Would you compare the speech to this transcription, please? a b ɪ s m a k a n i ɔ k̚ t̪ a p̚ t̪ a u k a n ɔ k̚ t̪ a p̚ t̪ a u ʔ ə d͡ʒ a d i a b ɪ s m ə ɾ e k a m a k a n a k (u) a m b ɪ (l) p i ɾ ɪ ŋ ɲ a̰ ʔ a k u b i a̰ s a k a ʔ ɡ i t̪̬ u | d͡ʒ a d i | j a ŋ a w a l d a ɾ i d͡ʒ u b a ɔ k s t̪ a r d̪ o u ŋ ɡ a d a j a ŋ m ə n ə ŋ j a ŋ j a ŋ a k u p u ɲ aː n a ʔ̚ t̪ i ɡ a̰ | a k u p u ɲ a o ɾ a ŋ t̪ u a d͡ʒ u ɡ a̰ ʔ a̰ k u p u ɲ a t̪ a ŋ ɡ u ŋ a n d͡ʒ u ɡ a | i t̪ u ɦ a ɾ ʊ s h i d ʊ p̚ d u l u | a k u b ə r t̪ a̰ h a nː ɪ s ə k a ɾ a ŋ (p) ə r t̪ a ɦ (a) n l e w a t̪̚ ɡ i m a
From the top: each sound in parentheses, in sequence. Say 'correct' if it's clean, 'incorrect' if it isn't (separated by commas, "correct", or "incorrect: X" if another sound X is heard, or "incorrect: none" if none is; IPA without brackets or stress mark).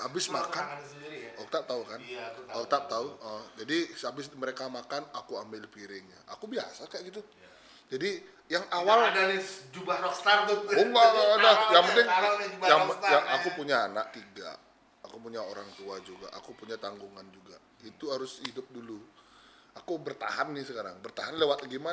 correct, correct, incorrect: b, correct